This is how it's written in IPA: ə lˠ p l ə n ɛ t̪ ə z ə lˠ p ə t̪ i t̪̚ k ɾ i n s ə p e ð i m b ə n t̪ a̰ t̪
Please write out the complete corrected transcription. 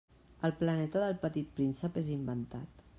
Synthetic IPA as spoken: ə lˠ p l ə n ɛ t̪ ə ð ə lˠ p ə t̪ i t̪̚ p ɾ i n s ə p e z i m b ə n t̪ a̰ t̪

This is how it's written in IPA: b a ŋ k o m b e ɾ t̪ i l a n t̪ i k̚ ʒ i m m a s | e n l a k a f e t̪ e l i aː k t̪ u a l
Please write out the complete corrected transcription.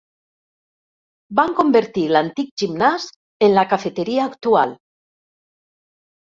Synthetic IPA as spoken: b a ŋ k o m b e ɾ t̪ i l a n t̪ i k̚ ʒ i m n a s | e n l a k a f e t̪ e ɾ i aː k t̪ u a l

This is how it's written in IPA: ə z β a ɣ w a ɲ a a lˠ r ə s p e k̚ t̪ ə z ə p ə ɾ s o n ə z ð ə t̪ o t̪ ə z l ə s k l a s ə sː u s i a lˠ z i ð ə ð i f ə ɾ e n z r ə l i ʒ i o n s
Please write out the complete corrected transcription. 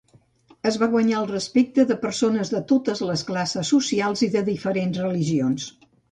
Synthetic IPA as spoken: ə z β a ɣ w ə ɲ a ə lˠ r ə s p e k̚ t̪ ə ð ə p ə ɾ s o n ə z ð ə t̪ o t̪ ə z l ə s k l a s ə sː u s i a lˠ z i ð ə ð i f ə ɾ e n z r ə l i ʒ i o n s

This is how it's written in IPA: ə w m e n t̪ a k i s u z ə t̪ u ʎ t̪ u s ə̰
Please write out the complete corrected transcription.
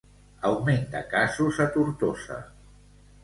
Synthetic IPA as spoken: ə w m e n t̪ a k a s u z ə t̪ u ɾ t̪ o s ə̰

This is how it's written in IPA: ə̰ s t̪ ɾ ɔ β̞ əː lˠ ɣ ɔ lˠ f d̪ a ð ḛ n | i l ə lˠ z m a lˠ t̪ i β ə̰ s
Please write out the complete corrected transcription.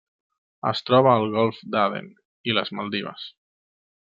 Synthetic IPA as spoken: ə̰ s t̪ ɾ ɔ β̞ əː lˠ ɣ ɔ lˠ f d̪ a ð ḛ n | i l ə z m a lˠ d̪ i β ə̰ s

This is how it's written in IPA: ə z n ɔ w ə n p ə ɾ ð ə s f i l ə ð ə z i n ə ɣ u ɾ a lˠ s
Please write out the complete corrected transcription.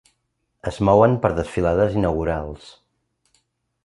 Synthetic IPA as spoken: ə z m ɔ w ə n p ə ɾ ð ə s f i l a ð ə z i n ə ɣ u ɾ a lˠ s

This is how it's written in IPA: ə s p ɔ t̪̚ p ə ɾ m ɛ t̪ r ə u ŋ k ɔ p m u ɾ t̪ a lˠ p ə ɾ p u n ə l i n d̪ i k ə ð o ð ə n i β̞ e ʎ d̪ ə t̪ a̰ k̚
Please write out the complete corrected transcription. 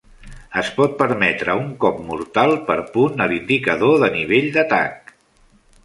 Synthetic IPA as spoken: ə s p ɔ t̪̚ p ə ɾ m ɛ t̪ ɾ ə u ŋ k ɔ p m u ɾ t̪ a lˠ p ə ɾ p u n ə l i n d̪ i k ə ð o ð ə n i β̞ e ʎ d̪ ə t̪ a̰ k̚

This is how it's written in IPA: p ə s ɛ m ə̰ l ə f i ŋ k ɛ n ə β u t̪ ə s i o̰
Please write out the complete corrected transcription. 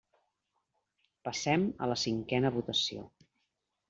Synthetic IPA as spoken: p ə s ɛ m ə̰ l ə s i ŋ k ɛ n ə β u t̪ ə s i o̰

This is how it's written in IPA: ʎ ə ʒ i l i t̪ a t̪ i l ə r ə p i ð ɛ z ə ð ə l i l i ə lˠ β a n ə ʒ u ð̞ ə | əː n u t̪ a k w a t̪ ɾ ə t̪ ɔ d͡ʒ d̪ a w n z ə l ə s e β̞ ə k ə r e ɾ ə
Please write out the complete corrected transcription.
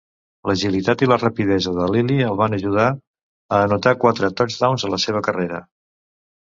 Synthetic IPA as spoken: l ə ʒ i l i t̪ a t̪ i l ə r ə p i ð ɛ z ə ð ə l i l i ə lˠ β a n ə ʒ u ð̞ a | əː n u t̪ a k w a t̪ ɾ ə t̪ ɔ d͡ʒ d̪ a w n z ə l ə s e β̞ ə k ə r e ɾ ə

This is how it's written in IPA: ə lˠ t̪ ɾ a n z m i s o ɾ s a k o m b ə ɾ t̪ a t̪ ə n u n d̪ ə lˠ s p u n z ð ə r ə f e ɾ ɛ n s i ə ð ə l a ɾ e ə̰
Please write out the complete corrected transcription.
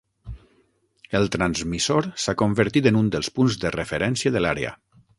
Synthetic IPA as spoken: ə lˠ t̪ ɾ a n z m i s o ɾ s a k o m b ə ɾ t̪ i t̪ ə n u n d̪ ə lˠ s p u n z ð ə r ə f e ɾ ɛ n s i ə ð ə l a ɾ e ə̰

